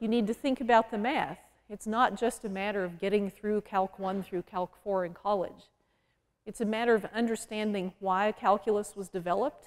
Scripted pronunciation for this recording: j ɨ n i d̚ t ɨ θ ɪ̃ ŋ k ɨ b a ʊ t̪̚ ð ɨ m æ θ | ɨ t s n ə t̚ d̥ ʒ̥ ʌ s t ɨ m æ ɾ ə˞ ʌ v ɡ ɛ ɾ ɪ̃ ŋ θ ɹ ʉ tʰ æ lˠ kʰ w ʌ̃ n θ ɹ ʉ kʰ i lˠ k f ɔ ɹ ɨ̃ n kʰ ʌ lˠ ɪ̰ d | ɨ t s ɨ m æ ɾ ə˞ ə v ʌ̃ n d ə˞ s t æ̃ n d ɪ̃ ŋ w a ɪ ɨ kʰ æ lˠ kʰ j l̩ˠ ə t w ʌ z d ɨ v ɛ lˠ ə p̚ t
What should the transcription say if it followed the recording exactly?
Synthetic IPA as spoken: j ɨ n i d̚ t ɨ θ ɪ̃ ŋ k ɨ b a ʊ t̪̚ ð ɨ m æ θ | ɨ t s n ə t̚ d̥ ʒ̥ ʌ s t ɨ m æ ɾ ə˞ ʌ v ɡ ɛ ɾ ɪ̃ ŋ θ ɹ ʉ kʰ æ lˠ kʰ w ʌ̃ n θ ɹ ʉ kʰ æ lˠ k f ɔ ɹ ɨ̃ n kʰ ɑ lˠ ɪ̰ d͡ʒ | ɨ t s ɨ m æ ɾ ə˞ ʌ v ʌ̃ n d ə˞ s t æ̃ n d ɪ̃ ŋ w a ɪ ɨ kʰ æ lˠ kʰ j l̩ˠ ə s w ʌ z d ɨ v ɛ lˠ ə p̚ t